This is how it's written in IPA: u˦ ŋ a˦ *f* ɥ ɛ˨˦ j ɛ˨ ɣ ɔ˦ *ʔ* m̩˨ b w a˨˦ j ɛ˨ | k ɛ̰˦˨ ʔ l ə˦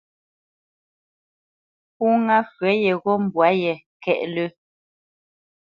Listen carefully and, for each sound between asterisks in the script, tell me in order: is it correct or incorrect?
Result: correct, incorrect: none

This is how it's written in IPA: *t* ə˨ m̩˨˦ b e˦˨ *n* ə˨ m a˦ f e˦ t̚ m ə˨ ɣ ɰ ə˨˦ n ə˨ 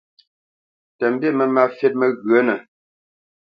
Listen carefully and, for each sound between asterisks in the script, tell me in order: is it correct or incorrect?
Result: correct, incorrect: m

